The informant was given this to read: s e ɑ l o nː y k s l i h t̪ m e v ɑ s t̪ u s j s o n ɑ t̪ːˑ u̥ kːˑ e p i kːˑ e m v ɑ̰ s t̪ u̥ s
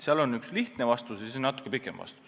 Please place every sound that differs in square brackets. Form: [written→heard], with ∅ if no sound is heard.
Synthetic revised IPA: s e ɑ l o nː y k s l i h t̪ [m→n] e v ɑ s t̪ u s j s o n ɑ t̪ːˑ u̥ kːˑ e p i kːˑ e m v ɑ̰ s t̪ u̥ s